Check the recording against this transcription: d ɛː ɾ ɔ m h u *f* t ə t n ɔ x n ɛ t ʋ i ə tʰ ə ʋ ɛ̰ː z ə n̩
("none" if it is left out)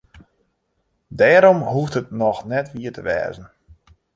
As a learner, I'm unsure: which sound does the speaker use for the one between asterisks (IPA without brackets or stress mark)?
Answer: f